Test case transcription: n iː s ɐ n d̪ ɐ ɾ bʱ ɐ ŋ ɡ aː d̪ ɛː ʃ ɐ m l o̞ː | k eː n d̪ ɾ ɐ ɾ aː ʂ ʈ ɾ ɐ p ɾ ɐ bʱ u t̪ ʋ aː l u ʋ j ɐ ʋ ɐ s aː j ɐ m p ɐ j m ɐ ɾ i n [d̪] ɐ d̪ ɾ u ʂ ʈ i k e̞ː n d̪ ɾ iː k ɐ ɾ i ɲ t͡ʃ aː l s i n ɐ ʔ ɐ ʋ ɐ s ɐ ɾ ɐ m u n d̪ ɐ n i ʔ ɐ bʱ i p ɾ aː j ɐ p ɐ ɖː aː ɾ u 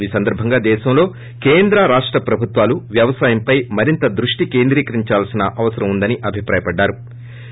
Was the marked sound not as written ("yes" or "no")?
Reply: yes